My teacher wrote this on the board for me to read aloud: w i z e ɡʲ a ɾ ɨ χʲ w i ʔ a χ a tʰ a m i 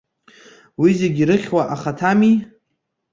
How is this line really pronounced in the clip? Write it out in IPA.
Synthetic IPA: w i z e ɡʲ i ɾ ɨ χʲ w a ʔ a χ a tʰ a m i